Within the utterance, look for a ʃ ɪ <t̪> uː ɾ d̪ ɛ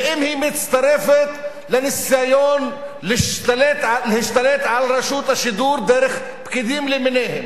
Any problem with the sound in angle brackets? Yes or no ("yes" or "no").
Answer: yes